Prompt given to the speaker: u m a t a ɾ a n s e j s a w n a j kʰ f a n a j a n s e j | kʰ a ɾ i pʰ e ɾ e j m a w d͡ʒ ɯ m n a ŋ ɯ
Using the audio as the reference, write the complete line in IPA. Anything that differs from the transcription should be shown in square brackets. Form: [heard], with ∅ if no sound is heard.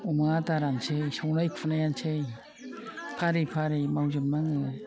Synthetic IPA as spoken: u m a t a ɾ a n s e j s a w n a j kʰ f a n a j a n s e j | [pʰ] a ɾ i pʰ [a] ɾ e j m a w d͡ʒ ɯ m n a ŋ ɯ